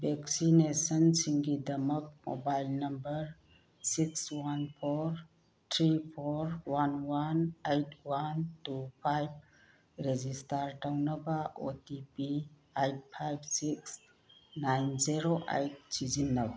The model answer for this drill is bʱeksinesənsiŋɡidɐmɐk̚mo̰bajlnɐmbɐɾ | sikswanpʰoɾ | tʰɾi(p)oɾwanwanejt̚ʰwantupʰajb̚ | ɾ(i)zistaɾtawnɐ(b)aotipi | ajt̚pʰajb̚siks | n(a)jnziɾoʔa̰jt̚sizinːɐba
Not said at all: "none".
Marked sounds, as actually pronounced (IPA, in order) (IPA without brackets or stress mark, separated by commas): pʰ, e, b, a